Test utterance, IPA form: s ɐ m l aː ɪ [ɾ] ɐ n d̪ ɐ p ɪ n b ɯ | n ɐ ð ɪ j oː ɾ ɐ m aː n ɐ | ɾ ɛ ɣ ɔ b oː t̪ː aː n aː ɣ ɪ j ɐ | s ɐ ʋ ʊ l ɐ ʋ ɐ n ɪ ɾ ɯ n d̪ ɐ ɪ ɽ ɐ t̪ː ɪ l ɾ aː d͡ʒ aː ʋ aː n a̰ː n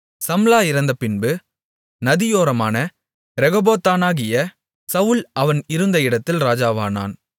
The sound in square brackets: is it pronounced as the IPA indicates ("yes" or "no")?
yes